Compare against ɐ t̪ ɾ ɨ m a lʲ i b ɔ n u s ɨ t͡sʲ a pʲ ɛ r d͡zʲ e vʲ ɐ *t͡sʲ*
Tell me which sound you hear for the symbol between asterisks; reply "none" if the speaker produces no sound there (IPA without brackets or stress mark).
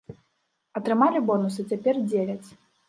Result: t͡sʲ